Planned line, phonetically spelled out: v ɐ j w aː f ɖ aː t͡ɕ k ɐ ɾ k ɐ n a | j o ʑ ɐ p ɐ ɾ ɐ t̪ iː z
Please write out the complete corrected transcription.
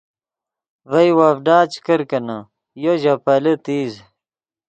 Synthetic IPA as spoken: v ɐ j w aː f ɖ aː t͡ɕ k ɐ ɾ k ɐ n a | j o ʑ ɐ p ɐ l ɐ t̪ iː z